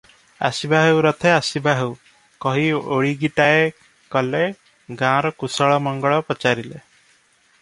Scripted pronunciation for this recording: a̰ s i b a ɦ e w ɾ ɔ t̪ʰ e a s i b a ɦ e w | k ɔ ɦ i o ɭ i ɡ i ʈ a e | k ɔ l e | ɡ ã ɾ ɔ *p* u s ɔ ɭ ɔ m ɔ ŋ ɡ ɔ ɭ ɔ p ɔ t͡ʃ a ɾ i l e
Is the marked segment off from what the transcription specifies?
yes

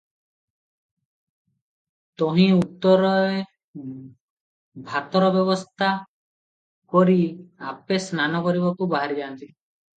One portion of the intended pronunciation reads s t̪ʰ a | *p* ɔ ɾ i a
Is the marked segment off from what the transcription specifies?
yes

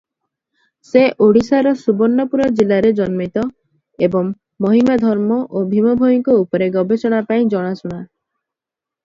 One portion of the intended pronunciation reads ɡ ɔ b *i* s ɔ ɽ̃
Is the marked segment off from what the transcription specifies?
yes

